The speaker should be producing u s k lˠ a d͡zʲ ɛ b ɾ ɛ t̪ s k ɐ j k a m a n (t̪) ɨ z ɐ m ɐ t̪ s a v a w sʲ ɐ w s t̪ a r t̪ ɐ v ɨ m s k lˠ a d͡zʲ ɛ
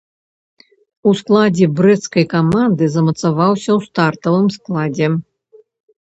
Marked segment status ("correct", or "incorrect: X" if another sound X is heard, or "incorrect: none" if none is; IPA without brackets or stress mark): incorrect: d̪